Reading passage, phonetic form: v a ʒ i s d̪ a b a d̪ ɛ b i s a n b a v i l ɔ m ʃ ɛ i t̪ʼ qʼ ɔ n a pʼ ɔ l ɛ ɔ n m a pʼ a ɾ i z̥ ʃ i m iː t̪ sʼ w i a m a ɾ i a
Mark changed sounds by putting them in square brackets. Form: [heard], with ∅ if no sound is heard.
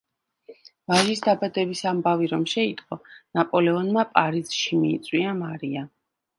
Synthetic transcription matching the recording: v a ʒ i s d̪ a b a d̪ ɛ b i s a [m] b a v i [ɾ] ɔ m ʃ ɛ i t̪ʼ qʼ ɔ n a pʼ ɔ l ɛ ɔ n m a pʼ a ɾ i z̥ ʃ i m iː t̪ sʼ w i a m a ɾ i a